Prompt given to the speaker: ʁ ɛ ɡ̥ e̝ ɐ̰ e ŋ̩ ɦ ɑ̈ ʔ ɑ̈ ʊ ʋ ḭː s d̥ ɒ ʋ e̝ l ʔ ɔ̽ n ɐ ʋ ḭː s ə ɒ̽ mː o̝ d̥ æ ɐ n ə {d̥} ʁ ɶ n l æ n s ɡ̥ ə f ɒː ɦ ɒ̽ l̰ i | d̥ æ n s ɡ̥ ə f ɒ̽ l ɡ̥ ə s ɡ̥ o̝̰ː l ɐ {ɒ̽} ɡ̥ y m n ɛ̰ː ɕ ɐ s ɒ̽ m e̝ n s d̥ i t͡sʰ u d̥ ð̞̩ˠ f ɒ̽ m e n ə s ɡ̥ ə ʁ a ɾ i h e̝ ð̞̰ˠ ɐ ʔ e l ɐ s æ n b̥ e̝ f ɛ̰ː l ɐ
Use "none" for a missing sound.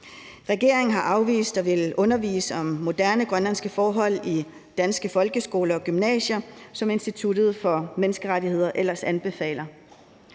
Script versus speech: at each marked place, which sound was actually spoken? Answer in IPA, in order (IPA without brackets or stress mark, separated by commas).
ɡ̥, ɒ̽